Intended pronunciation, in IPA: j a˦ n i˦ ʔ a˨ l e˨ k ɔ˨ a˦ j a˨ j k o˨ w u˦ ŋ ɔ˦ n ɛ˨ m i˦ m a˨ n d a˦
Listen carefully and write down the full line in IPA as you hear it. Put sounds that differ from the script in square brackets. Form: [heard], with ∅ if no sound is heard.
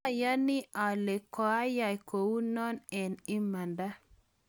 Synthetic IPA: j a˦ n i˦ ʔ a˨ l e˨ k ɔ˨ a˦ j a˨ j k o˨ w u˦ [n] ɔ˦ n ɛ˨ [n] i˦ m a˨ n d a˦